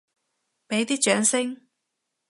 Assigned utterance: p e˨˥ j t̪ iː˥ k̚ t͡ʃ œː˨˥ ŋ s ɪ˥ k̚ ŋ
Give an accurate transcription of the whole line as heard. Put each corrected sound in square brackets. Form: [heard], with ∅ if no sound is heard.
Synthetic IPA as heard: p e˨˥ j t̪ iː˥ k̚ t͡ʃ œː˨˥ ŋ s ɪ˥ [∅] ŋ